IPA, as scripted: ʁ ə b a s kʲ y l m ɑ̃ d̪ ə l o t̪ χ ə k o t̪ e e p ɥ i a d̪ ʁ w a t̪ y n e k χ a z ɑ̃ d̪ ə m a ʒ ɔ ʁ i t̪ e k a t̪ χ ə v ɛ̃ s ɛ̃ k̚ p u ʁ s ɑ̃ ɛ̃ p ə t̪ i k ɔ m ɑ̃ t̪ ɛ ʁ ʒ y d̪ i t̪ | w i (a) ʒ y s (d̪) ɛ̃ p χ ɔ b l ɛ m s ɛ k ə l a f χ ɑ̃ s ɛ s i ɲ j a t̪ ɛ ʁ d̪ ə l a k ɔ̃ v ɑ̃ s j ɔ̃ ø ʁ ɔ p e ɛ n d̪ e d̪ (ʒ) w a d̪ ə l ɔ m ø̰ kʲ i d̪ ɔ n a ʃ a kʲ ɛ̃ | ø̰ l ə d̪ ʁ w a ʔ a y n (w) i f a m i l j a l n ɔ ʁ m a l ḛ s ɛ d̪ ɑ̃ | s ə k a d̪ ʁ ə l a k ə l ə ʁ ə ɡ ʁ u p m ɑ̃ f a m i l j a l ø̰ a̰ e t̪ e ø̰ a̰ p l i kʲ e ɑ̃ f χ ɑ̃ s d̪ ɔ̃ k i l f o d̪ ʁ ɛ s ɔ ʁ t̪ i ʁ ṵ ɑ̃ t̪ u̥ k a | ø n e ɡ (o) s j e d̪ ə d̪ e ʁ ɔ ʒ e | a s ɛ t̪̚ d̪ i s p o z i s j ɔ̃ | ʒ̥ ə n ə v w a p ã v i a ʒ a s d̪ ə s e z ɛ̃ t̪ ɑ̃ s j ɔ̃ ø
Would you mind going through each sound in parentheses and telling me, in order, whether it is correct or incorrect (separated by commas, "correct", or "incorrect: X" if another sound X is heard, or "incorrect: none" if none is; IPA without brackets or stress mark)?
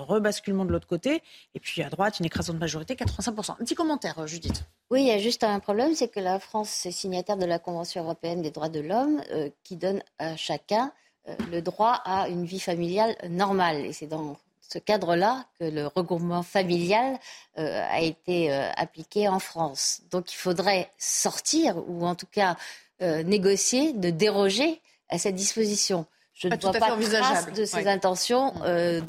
correct, incorrect: t̪, incorrect: ʁ, incorrect: v, incorrect: ɔ